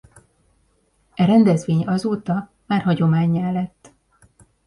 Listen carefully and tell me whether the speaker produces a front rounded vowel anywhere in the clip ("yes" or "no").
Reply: no